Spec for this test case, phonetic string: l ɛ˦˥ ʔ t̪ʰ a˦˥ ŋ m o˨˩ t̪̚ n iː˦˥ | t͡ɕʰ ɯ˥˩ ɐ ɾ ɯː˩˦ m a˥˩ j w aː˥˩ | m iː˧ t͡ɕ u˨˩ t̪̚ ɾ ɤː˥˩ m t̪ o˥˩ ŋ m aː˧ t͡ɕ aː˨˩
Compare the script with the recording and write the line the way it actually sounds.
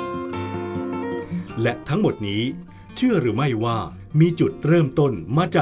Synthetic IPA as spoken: l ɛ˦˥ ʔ t̪ʰ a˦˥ ŋ m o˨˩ t̪̚ n iː˦˥ | t͡ɕʰ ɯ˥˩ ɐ ɾ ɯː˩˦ m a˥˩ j w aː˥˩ | m iː˧ t͡ɕ u˨˩ t̪̚ ɾ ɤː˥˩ m t̪ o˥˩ n m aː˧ t͡ɕ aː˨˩